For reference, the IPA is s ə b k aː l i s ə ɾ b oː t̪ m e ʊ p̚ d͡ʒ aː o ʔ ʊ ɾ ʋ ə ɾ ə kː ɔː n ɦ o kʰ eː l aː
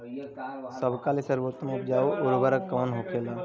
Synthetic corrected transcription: s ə b k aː l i s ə ɾ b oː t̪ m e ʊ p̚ d͡ʒ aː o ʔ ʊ ɾ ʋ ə ɾ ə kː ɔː n ɦ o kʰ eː l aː